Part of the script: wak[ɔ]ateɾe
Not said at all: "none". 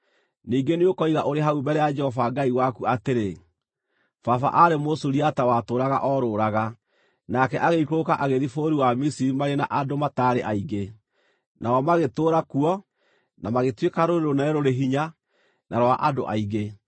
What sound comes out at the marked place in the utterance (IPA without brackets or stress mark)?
u